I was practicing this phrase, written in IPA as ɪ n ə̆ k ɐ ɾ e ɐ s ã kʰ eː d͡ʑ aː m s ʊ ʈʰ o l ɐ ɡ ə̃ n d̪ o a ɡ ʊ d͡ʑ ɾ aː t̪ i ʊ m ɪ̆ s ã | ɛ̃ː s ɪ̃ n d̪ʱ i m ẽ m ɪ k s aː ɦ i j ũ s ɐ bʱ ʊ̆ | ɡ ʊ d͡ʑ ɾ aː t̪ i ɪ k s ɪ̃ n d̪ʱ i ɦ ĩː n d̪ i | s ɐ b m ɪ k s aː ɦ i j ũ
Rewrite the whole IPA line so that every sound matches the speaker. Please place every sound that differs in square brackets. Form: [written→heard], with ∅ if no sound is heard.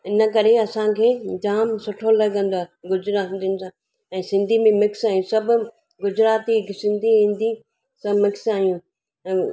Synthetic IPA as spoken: ɪ n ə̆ k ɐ ɾ e ɐ s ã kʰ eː d͡ʑ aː m s ʊ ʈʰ o l ɐ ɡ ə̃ n d̪ o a ɡ ʊ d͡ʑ ɾ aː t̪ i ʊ [m→n] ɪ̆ s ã | ɛ̃ː s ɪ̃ n d̪ʱ i m ẽ m ɪ k s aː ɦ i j ũ s ɐ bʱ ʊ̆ | ɡ ʊ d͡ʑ ɾ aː t̪ i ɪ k s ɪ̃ n d̪ʱ i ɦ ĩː n d̪ i | s ɐ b m ɪ k s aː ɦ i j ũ